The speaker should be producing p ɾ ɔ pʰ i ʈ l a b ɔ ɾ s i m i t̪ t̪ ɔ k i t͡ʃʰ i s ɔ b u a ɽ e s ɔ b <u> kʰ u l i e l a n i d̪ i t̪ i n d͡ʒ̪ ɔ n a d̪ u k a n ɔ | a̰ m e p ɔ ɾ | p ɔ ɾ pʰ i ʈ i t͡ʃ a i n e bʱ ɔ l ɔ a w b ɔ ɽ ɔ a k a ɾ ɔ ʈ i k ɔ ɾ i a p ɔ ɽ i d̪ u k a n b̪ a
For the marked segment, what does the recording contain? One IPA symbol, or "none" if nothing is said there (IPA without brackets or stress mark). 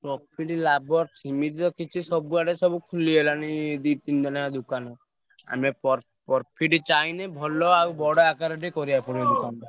u